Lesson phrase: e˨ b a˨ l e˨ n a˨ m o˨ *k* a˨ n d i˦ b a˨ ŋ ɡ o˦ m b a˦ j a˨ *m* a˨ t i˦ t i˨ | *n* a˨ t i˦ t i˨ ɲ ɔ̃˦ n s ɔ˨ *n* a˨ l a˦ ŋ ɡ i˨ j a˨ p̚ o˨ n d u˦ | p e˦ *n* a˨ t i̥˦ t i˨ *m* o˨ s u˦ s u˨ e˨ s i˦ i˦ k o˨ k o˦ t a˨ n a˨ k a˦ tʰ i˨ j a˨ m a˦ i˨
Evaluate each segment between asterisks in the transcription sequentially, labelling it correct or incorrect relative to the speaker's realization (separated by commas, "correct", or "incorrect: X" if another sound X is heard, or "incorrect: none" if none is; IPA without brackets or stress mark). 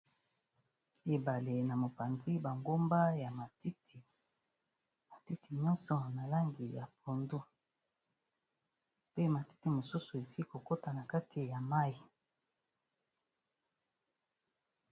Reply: incorrect: p, correct, incorrect: m, correct, incorrect: m, correct